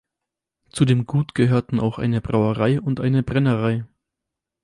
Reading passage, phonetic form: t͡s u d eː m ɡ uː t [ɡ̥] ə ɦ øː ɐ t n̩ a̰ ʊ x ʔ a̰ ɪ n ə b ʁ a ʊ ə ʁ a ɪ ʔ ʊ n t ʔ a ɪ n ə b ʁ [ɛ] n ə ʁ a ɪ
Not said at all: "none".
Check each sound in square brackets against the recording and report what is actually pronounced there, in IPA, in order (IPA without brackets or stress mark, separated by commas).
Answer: ɡ̥, ɛ